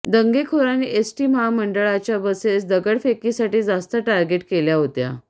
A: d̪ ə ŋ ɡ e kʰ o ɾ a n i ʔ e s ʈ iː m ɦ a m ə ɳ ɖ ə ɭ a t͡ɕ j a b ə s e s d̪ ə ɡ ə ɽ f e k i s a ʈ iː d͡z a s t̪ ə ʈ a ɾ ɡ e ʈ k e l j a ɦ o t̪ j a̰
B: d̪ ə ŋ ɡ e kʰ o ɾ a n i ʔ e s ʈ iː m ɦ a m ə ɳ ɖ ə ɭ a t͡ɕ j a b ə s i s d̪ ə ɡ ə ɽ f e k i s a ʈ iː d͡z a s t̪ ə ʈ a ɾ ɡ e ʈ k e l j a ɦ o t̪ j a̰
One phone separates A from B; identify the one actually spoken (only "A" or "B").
A